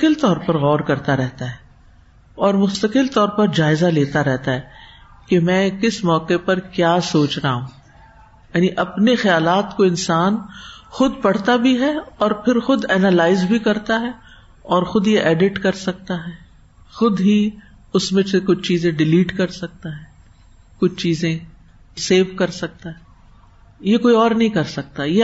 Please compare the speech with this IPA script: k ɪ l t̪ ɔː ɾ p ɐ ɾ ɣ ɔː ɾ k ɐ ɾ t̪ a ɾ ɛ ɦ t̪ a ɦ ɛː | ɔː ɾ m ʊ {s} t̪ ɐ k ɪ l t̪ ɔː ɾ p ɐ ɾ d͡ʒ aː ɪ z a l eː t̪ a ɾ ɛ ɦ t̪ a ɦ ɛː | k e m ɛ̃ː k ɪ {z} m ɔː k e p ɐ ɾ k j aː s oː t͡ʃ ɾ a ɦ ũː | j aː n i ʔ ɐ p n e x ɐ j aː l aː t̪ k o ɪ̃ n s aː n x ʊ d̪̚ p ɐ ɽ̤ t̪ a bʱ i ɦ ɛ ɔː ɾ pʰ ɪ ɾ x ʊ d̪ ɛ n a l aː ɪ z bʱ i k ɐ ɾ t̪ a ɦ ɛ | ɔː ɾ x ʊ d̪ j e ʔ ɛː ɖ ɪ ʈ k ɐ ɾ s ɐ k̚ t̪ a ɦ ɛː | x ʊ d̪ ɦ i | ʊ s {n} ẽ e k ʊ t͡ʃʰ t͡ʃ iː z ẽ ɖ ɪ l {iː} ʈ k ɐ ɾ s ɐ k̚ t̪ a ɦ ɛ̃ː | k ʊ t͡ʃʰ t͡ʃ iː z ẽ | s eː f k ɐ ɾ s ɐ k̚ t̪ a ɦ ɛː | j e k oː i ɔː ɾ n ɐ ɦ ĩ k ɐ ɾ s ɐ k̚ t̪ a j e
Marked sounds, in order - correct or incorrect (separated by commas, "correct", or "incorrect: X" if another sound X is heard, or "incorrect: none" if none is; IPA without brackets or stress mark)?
correct, incorrect: s, incorrect: m, correct